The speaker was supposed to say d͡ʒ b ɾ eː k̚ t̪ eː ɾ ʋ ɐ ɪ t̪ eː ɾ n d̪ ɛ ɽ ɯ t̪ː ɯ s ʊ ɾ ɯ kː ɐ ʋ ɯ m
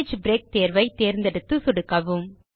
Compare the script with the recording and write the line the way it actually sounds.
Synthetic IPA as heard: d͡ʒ b ɾ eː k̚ t̪ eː ɾ ʋ ɐ ɪ t̪ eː ɾ n d̪ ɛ ɽ ɯ t̪ː ɯ s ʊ ɽ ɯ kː ɐ ʋ ɯ m